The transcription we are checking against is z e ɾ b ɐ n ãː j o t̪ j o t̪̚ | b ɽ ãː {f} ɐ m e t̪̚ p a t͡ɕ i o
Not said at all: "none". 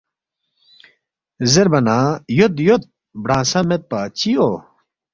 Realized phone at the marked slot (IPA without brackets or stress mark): s